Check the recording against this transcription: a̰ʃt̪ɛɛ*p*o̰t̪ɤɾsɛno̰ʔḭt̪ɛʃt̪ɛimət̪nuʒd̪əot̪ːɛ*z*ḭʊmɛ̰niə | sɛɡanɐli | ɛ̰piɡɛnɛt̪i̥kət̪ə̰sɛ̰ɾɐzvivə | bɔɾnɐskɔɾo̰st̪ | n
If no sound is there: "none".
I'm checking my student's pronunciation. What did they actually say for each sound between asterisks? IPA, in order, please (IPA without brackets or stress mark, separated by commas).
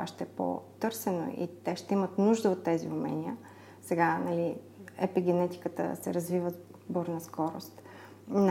p, z